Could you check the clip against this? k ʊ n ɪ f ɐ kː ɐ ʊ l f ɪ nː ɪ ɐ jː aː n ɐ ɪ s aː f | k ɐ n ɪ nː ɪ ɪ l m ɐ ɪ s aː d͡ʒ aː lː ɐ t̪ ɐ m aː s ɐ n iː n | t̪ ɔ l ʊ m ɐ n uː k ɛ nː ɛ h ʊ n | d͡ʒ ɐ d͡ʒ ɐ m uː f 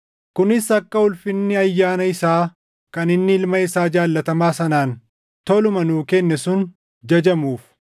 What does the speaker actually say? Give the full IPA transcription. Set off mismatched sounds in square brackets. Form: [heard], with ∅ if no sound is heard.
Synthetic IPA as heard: k ʊ n ɪ [s] ɐ kː ɐ ʊ l f ɪ nː ɪ ɐ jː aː n ɐ ɪ s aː [∅] | k ɐ n ɪ nː ɪ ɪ l m ɐ ɪ s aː d͡ʒ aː lː ɐ t̪ ɐ m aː s ɐ n [aː] n | t̪ ɔ l ʊ m ɐ n uː k ɛ nː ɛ [s] ʊ n | d͡ʒ ɐ d͡ʒ ɐ m uː f